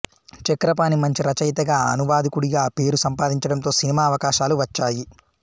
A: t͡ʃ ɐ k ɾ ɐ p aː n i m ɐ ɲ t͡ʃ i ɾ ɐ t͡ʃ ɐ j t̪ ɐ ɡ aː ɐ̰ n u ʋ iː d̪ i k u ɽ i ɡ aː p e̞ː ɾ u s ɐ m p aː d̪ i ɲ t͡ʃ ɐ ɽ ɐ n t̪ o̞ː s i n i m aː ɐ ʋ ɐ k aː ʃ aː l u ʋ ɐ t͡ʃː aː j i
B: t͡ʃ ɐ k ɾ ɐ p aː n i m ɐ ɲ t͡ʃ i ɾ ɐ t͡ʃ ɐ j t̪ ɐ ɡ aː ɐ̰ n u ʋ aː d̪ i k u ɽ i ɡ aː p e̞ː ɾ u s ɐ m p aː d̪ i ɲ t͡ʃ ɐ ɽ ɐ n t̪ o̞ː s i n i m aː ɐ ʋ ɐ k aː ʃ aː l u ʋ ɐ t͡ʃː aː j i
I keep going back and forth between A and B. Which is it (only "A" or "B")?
B